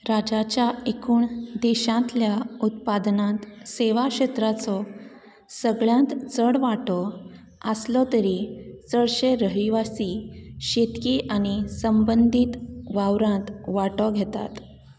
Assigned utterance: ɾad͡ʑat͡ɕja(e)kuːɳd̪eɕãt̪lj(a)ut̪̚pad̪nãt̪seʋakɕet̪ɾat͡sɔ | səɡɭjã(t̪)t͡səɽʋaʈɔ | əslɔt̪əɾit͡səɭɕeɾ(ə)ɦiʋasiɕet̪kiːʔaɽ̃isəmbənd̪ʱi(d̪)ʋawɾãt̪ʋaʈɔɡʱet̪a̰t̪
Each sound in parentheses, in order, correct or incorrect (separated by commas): correct, correct, correct, correct, incorrect